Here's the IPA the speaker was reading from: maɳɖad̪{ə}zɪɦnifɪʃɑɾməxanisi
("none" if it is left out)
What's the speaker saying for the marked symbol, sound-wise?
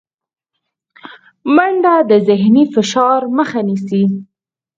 ə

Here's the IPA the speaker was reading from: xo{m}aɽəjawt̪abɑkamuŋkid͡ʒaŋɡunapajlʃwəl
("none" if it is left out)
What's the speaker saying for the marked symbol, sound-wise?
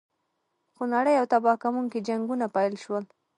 n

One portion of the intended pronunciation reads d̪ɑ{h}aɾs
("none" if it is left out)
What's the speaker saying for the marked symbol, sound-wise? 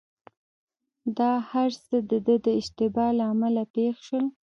h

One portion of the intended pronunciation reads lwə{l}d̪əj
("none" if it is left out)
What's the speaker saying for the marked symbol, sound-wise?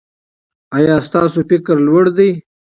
ɽ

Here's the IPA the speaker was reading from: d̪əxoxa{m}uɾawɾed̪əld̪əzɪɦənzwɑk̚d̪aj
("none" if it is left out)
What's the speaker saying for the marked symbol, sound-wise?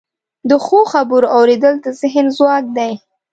b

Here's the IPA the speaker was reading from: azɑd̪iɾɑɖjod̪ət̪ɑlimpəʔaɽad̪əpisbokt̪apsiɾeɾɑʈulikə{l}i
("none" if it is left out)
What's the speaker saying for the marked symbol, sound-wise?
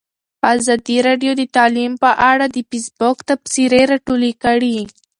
ɽ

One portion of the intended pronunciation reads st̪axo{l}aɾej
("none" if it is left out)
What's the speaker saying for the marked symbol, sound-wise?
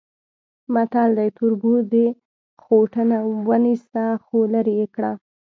l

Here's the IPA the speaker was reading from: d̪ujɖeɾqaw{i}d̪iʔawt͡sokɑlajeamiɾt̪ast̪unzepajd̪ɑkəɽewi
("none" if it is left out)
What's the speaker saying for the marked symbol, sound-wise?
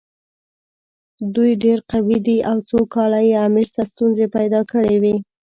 i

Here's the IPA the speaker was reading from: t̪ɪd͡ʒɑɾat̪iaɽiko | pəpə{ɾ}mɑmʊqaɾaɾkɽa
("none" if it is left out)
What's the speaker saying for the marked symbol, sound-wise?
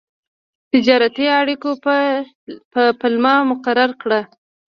l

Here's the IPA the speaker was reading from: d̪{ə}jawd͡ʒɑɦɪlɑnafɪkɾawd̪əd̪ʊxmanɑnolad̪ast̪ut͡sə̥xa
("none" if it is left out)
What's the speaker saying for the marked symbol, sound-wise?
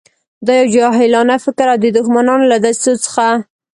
ɑ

